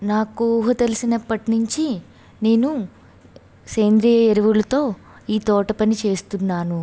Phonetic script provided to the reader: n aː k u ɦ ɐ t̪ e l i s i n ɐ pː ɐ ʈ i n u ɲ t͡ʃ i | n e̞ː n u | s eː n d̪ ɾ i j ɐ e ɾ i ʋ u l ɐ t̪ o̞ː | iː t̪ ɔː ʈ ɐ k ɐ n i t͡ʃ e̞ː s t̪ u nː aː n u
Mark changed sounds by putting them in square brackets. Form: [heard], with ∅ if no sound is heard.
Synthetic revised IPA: n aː k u ɦ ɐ t̪ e l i s i n ɐ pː ɐ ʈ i n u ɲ t͡ʃ i | n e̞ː n u | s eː n d̪ ɾ i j ɐ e ɾ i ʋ u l ɐ t̪ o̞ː | iː t̪ ɔː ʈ ɐ [p] ɐ n i t͡ʃ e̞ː s t̪ u nː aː n u